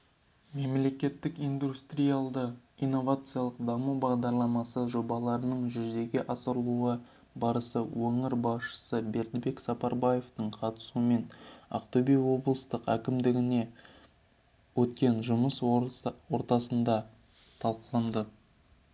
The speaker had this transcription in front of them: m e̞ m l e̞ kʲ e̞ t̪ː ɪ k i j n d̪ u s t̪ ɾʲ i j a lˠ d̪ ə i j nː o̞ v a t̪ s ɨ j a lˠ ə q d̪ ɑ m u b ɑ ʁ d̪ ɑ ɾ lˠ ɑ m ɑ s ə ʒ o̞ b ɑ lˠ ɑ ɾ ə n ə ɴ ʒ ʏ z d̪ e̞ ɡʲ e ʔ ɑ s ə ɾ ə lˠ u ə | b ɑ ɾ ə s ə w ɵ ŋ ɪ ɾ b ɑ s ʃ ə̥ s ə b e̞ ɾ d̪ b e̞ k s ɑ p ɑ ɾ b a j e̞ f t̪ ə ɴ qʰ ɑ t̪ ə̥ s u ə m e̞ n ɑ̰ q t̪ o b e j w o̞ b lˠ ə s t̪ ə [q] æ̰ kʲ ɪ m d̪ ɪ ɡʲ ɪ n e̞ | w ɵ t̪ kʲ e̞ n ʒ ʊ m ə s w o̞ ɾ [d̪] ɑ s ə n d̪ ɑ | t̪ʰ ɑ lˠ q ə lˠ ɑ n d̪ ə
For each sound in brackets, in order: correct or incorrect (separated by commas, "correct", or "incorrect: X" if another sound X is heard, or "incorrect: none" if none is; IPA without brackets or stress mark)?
correct, incorrect: t̪